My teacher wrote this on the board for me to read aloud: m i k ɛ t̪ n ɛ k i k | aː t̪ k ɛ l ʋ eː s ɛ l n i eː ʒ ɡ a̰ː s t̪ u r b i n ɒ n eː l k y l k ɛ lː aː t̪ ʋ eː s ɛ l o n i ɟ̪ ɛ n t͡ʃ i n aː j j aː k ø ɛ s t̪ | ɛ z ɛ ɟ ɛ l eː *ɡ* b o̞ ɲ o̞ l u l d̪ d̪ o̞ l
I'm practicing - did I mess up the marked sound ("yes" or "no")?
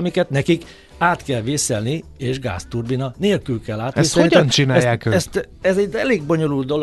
no